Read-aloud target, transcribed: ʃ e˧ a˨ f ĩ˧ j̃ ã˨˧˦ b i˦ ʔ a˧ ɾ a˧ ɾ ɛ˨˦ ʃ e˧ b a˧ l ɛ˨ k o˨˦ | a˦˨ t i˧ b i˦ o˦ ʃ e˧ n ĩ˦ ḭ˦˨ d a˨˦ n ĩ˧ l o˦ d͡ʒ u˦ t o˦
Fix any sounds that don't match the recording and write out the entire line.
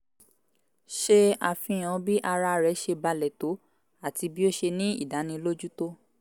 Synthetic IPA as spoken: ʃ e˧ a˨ f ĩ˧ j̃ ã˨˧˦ b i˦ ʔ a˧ ɾ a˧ ɾ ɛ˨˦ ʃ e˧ b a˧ l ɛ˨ t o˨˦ | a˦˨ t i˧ b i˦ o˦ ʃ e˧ n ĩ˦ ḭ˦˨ d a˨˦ n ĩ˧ l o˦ d͡ʒ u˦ t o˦

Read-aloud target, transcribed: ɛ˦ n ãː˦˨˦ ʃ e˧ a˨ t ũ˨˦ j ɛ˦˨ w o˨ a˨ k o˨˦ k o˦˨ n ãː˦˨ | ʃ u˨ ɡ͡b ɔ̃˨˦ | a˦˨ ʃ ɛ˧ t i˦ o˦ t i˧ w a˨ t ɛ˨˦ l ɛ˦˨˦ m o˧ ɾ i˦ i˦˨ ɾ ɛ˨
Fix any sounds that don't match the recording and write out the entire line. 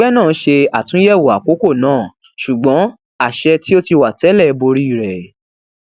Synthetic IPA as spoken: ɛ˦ n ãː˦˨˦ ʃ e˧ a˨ t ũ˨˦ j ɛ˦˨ w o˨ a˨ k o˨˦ k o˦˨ n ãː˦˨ | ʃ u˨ ɡ͡b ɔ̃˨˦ | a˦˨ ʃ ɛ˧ t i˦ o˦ t i˧ w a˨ t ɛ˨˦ l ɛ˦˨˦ b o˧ ɾ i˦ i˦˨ ɾ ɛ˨

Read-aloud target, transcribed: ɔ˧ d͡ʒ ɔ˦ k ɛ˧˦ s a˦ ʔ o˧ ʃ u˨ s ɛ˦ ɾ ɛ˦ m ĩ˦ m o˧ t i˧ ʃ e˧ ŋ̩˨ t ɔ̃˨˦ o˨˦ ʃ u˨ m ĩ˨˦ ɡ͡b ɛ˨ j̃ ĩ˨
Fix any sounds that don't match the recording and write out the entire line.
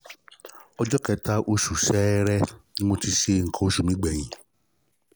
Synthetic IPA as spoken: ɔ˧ d͡ʒ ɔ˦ k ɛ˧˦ t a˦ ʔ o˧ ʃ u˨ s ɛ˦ ɾ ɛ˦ n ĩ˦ m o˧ t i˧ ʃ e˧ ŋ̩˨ k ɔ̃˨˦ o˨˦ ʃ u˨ m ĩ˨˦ ɡ͡b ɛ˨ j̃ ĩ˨

